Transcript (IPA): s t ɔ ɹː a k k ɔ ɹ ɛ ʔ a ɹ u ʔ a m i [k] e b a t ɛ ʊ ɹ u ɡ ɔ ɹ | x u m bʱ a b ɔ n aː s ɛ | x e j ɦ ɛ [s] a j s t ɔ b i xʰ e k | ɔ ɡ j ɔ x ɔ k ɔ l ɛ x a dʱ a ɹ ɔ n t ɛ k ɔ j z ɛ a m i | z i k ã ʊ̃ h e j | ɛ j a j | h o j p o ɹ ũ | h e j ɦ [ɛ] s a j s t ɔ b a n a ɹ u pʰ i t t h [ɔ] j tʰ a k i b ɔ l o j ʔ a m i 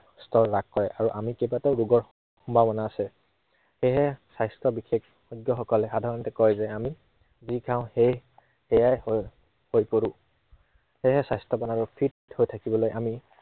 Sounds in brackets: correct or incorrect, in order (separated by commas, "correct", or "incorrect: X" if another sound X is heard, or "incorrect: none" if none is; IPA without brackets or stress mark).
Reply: correct, correct, correct, incorrect: o